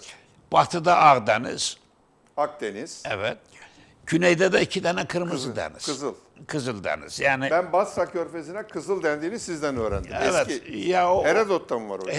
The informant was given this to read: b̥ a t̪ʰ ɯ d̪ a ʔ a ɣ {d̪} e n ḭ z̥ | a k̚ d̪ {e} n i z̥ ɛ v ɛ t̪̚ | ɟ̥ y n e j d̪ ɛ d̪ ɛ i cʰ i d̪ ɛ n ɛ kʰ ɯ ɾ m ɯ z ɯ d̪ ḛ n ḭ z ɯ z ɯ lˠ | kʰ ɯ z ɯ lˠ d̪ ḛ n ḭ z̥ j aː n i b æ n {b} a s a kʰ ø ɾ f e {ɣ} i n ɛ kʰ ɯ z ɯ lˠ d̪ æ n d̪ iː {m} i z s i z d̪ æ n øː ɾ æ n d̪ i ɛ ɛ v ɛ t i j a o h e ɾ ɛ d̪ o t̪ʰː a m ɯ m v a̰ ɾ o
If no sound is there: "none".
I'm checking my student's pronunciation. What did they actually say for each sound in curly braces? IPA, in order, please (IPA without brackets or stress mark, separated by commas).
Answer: d̪, e, b, z, n